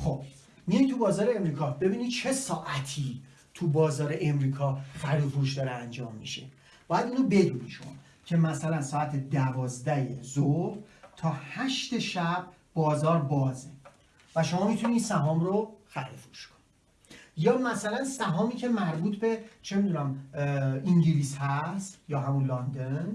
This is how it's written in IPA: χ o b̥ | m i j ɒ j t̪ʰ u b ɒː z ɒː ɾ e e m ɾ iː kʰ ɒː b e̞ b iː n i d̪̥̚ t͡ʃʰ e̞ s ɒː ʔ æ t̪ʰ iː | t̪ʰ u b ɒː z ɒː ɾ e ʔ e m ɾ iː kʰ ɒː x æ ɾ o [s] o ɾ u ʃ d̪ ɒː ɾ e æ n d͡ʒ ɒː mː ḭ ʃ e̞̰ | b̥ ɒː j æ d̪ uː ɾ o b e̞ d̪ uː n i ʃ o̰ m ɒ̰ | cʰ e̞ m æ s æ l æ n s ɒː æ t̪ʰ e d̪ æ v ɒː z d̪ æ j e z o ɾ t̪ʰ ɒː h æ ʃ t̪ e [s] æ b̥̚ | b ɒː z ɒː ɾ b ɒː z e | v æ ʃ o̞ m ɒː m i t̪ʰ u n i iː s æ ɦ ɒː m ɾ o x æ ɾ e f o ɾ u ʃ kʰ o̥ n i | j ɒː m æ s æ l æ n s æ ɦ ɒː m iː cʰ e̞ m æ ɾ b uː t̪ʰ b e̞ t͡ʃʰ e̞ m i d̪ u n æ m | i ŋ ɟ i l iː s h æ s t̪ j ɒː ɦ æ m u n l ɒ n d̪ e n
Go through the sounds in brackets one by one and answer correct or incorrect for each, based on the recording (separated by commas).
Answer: incorrect, incorrect